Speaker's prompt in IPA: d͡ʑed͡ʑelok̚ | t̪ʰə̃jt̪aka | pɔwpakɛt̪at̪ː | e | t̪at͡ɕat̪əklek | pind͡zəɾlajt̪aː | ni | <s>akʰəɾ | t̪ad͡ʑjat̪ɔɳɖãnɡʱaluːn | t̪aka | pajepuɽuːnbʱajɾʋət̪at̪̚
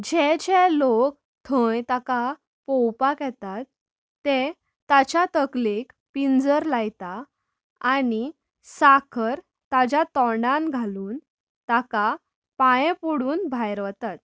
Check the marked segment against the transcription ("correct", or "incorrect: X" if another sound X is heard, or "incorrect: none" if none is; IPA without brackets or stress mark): correct